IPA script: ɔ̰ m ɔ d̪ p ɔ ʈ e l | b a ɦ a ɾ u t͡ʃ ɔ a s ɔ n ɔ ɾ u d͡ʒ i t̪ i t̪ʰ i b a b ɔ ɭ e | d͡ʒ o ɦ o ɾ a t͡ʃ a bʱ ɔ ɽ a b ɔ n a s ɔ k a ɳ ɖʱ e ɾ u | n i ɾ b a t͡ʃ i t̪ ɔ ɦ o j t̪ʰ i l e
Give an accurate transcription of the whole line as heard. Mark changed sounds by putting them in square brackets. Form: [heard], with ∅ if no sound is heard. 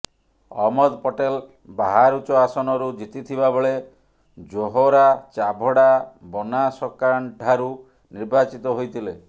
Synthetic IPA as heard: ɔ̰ m ɔ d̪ p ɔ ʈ e l | b a ɦ a ɾ u t͡ʃ ɔ a s ɔ n ɔ ɾ u d͡ʒ i t̪ i t̪ʰ i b a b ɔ ɭ e | d͡ʒ o ɦ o ɾ a t͡ʃ a bʱ ɔ ɽ a b ɔ n a s ɔ k a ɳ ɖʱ [a] ɾ u | n i ɾ b a t͡ʃ i t̪ ɔ ɦ o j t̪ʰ i l e